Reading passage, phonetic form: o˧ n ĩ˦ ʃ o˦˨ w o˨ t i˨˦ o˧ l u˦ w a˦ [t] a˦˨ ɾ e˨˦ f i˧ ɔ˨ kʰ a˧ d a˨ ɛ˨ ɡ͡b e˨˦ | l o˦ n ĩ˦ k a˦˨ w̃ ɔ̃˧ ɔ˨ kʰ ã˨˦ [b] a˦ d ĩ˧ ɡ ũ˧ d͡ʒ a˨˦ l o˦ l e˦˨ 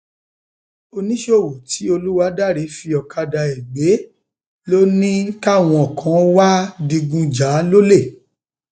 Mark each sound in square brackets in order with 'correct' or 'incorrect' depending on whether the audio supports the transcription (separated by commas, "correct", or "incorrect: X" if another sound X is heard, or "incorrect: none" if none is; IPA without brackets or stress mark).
incorrect: d, incorrect: w